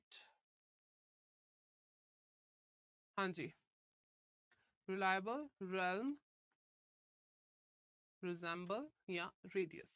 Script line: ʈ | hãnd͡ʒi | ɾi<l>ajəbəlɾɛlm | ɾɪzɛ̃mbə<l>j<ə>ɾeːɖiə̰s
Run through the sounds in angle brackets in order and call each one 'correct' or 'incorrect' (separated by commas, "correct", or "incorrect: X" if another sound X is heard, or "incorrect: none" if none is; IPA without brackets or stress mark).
correct, correct, incorrect: a